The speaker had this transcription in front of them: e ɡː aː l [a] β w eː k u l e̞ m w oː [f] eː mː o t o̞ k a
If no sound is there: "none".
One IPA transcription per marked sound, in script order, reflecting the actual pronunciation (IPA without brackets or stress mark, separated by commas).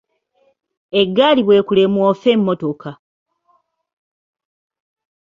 i, f